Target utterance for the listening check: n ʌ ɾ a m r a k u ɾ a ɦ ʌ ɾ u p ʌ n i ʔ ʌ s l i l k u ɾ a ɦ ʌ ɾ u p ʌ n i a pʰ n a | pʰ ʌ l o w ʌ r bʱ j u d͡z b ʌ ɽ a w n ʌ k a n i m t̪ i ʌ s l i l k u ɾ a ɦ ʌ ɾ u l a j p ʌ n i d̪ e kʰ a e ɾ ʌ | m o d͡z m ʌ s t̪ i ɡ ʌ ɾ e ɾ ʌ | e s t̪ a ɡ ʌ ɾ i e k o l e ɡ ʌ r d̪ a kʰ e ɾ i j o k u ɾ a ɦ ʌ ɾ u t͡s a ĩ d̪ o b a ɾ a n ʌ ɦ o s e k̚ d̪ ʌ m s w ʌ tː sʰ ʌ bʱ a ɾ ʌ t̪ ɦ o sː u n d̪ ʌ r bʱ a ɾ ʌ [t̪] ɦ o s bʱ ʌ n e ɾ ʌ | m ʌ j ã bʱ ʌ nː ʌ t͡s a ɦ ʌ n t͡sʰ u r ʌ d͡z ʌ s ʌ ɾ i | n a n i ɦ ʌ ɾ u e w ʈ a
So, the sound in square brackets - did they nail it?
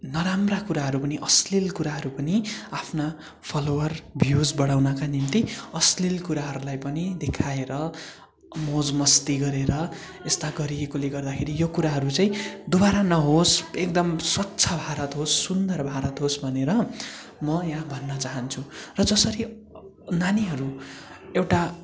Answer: yes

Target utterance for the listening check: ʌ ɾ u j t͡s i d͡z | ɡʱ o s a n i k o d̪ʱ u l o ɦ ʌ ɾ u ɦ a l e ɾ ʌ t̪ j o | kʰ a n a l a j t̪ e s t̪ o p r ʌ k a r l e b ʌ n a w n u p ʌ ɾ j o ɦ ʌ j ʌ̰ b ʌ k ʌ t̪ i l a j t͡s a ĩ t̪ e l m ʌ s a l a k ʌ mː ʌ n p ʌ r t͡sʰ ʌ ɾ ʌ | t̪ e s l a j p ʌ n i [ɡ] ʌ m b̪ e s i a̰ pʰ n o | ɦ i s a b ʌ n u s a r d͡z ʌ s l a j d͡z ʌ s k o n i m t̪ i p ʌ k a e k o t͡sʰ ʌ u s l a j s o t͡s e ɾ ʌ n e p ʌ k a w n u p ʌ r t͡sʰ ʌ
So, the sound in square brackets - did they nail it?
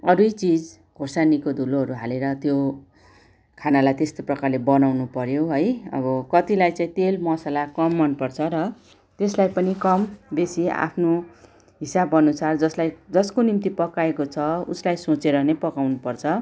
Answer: no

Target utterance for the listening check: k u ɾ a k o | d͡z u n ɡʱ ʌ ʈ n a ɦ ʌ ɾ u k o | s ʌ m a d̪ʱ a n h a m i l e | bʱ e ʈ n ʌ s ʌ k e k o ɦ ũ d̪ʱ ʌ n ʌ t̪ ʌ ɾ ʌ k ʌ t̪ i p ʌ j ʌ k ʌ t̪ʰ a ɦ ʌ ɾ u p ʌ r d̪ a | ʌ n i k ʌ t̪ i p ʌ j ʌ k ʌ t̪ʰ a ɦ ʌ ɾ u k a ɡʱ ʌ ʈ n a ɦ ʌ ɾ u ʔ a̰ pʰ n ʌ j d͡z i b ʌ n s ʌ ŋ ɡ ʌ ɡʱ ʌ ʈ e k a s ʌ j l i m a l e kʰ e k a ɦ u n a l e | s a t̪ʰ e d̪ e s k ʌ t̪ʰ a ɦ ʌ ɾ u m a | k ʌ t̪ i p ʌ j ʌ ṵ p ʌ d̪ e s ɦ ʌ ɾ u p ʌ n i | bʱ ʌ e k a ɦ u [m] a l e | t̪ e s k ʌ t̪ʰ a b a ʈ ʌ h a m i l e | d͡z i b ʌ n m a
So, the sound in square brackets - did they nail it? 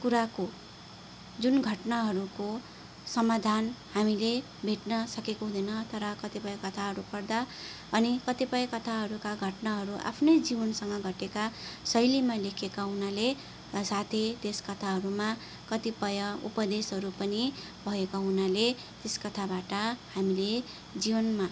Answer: no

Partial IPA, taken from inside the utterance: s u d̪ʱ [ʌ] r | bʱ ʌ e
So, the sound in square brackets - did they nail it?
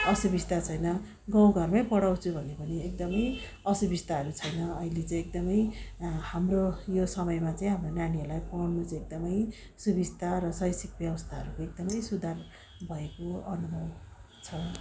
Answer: no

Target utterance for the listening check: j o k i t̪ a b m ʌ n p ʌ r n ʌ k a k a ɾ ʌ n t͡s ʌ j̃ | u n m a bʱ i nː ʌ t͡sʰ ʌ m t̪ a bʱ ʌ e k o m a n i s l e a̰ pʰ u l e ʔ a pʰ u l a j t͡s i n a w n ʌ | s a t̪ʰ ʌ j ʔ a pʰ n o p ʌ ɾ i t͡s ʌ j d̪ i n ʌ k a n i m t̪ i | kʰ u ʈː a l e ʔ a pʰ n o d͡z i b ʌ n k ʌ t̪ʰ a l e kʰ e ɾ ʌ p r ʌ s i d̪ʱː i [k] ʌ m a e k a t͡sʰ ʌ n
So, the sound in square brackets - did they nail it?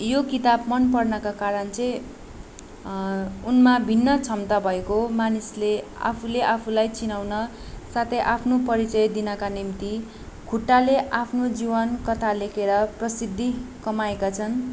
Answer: yes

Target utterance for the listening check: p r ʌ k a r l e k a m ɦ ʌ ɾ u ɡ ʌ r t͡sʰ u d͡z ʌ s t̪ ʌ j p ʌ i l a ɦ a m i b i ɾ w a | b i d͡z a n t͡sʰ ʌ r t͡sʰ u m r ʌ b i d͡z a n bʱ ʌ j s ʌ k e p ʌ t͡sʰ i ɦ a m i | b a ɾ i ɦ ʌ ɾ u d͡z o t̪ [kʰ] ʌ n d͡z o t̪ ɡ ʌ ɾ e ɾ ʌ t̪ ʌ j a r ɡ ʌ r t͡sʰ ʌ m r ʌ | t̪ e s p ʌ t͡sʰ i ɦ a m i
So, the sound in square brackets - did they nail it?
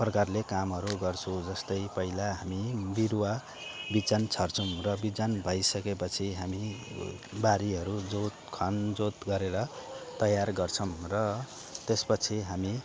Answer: yes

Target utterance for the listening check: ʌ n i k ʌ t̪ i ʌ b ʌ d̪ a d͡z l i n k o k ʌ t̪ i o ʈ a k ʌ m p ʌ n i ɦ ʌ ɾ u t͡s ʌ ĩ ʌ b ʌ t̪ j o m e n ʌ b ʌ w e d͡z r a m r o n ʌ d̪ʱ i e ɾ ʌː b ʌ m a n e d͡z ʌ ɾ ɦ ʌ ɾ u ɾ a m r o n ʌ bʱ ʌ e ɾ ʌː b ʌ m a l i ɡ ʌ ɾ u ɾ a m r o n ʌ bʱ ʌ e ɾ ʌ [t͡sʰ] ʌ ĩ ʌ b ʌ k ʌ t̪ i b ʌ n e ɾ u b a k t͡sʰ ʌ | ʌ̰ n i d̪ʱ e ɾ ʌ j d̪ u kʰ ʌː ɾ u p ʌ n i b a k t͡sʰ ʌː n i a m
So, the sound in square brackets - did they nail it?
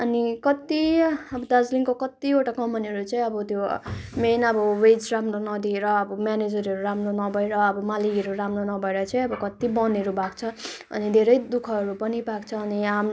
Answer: no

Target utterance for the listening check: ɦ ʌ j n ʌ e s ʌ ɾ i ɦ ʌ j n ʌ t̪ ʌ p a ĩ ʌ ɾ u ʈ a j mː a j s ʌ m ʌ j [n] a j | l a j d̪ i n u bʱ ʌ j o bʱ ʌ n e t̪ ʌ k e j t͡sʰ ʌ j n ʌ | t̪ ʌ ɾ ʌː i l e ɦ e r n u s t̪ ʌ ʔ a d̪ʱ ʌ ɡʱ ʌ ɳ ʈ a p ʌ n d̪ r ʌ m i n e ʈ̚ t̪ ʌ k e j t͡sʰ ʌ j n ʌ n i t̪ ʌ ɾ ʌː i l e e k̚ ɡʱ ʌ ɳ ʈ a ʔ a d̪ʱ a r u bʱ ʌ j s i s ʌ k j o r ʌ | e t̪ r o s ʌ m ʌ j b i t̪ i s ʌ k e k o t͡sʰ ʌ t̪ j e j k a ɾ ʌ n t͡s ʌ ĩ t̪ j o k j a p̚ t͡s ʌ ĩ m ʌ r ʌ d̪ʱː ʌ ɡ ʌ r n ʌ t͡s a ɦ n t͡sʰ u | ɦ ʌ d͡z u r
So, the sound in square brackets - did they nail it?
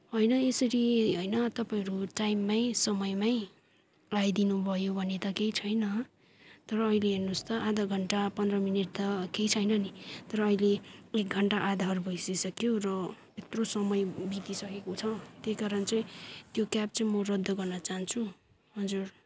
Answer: no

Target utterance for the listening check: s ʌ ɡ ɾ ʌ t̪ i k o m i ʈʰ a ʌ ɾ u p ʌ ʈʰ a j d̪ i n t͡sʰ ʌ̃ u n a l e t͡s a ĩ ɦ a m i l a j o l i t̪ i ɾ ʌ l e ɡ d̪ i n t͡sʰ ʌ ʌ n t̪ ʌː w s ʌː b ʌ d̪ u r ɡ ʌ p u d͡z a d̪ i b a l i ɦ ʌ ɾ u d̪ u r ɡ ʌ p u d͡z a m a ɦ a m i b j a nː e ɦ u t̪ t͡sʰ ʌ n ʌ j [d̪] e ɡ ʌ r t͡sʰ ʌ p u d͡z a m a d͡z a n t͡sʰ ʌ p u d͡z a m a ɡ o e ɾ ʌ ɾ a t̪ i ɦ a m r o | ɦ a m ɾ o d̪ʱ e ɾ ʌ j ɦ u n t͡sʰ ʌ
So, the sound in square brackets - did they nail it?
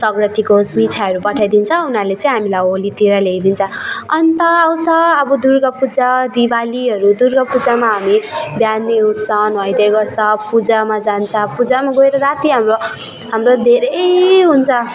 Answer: yes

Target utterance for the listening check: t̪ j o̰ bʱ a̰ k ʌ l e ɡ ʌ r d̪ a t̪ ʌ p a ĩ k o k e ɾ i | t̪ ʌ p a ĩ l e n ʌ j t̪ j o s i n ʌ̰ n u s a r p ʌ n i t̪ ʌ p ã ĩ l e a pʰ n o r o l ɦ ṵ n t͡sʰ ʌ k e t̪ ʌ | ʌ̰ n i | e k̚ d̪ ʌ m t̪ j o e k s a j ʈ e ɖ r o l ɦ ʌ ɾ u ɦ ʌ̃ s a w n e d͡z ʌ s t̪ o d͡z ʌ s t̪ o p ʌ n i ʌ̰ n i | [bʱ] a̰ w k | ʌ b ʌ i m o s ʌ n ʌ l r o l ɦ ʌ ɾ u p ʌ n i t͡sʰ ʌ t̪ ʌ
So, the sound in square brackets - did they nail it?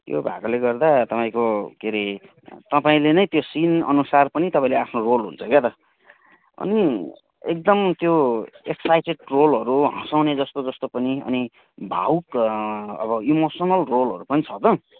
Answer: yes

